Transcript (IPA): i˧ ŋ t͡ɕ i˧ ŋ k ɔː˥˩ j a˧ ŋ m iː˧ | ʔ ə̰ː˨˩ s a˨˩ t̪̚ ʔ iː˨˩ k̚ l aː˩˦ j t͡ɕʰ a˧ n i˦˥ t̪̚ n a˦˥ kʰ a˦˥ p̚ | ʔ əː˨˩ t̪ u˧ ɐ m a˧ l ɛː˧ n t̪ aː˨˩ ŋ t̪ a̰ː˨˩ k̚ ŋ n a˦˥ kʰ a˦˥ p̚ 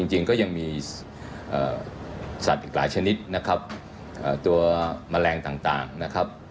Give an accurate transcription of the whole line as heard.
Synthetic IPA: i˧ ŋ t͡ɕ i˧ ŋ k ɔː˥˩ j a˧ ŋ m iː˧ | ʔ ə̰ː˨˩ s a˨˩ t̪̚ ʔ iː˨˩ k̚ l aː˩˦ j t͡ɕʰ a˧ n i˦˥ t̪̚ n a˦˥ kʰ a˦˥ p̚ | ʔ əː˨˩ t̪ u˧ ɐ m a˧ l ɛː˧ ŋ t̪ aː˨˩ ŋ t̪ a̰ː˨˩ ŋ n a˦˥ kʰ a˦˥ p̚